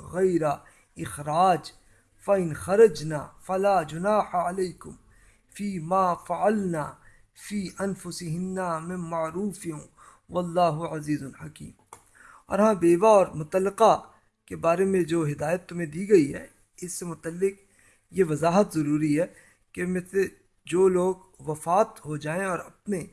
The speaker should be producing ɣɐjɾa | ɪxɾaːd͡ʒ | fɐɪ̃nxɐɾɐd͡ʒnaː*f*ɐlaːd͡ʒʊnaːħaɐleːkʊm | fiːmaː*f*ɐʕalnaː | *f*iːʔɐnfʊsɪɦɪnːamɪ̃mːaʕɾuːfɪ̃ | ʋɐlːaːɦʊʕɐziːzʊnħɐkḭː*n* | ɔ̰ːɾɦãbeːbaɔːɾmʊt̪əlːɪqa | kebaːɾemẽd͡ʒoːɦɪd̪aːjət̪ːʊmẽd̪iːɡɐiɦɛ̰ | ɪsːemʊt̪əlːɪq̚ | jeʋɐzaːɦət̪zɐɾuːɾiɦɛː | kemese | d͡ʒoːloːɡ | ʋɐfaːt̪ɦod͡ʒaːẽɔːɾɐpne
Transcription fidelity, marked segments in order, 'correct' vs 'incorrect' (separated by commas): correct, correct, correct, incorrect